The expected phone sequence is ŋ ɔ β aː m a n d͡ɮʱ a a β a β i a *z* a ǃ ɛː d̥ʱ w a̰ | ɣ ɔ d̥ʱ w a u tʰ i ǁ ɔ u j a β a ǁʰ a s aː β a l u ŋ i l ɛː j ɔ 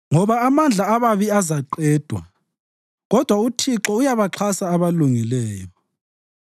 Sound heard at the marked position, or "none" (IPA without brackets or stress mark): z